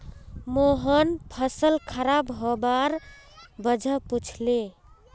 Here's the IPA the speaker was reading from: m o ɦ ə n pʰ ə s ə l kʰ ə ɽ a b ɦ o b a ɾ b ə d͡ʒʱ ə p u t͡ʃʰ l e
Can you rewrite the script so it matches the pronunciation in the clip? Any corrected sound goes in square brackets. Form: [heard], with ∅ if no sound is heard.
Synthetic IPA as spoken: m o ɦ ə n pʰ ə s ə l kʰ ə [ɾ] a b ɦ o b a ɾ b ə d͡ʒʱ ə p u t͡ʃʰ l e